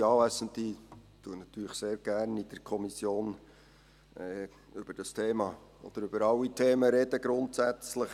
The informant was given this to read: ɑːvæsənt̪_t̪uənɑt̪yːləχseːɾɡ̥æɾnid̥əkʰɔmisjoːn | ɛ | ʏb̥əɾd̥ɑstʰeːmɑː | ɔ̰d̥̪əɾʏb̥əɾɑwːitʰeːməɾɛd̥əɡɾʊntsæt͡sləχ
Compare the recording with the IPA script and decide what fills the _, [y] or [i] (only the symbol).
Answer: i